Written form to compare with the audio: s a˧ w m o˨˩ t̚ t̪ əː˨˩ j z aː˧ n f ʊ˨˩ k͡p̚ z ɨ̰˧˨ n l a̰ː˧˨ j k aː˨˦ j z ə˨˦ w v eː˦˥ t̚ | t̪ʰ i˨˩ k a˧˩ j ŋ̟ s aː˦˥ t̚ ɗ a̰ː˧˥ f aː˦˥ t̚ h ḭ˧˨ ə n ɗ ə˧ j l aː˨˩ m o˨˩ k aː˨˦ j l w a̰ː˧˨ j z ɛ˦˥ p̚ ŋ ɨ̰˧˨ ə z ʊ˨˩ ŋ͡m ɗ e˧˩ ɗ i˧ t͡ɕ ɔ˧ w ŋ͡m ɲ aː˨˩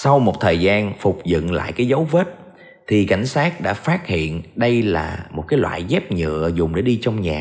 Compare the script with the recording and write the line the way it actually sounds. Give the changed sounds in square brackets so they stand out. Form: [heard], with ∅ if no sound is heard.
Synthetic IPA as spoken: s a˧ w m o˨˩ t̚ [t̪ʰ] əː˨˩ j z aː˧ n f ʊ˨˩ k͡p̚ z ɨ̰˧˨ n l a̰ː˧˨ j k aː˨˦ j z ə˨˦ w v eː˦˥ t̚ | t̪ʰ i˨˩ k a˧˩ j ŋ̟ s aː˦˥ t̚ ɗ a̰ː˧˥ f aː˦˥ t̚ h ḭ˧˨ ə n ɗ ə˧ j l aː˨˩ m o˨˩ k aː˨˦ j l w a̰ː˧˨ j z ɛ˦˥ p̚ [ɲ] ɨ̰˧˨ ə z ʊ˨˩ ŋ͡m ɗ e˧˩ ɗ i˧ t͡ɕ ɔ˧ w ŋ͡m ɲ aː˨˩